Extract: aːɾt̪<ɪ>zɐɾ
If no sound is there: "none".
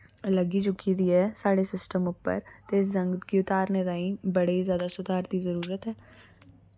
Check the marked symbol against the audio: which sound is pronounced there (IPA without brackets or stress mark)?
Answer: i